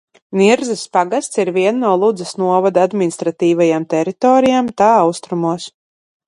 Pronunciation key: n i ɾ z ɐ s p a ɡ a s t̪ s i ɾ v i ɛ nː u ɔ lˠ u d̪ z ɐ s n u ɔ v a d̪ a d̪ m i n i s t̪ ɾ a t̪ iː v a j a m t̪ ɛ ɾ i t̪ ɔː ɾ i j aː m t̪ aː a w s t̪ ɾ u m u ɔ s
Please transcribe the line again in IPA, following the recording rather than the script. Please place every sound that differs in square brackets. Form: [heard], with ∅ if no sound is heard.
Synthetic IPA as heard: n i ɾ z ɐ s p a ɡ a s t̪ s i ɾ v i ɛ nː u ɔ lˠ u d̪ z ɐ s n u ɔ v a d̪ a d̪ m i n i s t̪ ɾ a t̪ iː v a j a m t̪ ɛ ɾ i t̪ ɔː ɾ i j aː m t̪ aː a w s t̪ ɾ u m u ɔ s